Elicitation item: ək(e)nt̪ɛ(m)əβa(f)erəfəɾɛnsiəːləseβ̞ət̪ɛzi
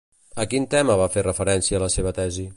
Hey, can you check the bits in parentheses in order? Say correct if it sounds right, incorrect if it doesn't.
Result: incorrect: i, correct, correct

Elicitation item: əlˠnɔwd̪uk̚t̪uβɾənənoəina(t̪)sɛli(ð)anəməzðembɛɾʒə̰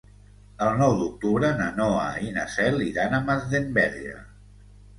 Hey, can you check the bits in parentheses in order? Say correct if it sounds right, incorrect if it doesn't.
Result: incorrect: none, correct

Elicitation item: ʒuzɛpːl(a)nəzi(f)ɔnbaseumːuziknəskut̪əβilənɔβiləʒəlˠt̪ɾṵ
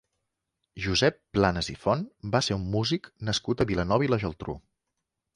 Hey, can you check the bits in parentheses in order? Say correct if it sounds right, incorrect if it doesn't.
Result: correct, correct

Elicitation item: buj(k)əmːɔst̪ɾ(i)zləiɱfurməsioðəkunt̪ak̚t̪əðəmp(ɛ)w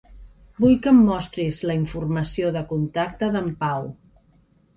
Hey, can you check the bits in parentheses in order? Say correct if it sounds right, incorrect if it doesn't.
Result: correct, correct, incorrect: a

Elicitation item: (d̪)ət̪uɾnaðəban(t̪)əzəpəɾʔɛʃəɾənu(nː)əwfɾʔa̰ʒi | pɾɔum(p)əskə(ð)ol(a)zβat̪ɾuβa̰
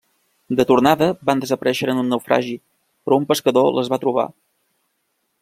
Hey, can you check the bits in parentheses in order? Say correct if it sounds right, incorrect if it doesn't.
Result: correct, incorrect: d̪, correct, correct, correct, incorrect: ə

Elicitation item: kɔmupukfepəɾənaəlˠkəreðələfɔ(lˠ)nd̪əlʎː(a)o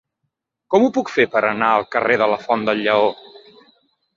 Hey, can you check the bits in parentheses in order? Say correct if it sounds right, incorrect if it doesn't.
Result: incorrect: none, incorrect: ə

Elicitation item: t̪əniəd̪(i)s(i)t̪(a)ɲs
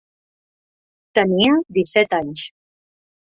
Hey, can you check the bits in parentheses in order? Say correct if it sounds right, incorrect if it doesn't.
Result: correct, incorrect: ɛ, correct

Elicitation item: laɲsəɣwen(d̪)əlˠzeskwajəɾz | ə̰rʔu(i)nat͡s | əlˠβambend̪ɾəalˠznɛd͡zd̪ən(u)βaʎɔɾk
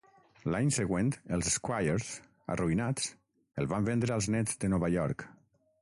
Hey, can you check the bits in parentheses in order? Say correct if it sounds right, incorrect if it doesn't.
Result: incorrect: t̪, correct, incorrect: ɔ

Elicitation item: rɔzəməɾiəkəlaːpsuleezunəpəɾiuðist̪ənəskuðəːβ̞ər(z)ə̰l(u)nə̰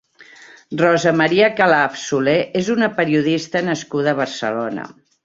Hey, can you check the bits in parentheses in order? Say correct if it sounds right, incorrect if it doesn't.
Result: incorrect: s, incorrect: o

